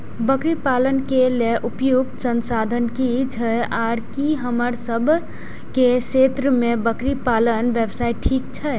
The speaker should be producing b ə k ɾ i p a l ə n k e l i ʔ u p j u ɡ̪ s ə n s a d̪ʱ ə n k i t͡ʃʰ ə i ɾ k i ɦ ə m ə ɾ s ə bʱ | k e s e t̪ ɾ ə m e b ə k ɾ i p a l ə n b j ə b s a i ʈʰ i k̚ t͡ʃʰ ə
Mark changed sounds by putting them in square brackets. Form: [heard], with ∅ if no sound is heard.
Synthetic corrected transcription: b ə k ɾ i p a l ə n k e l [e] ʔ u p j u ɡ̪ s ə n s a d̪ʱ ə n k i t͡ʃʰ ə [a] ɾ k i ɦ ə m ə ɾ s ə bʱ | k e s e t̪ ɾ ə m e b ə k ɾ i p a l ə n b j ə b s a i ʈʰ i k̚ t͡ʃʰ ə